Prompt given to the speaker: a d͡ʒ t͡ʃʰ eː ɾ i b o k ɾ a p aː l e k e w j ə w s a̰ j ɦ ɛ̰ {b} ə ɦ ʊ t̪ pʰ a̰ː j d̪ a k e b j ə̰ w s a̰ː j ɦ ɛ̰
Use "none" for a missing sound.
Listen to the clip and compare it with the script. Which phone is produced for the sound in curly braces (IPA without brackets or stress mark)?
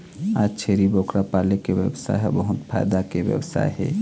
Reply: b